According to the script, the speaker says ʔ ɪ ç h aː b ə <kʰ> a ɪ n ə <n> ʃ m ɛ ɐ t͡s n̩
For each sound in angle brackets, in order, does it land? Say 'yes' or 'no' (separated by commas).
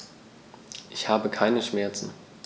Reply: yes, no